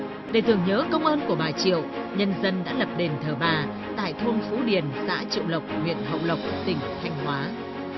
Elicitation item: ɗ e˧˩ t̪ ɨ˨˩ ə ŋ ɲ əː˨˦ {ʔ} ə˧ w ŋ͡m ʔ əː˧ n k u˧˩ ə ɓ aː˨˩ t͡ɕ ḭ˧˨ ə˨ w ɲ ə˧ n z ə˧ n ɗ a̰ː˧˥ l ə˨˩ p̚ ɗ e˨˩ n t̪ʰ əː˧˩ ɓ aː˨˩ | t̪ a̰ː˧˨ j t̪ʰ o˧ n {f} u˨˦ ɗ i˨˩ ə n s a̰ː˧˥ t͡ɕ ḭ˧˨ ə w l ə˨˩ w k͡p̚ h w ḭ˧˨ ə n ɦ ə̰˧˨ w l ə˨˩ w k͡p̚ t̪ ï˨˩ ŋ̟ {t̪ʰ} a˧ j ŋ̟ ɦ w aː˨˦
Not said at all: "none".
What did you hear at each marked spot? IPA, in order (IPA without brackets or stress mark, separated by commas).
k, f, t̪ʰ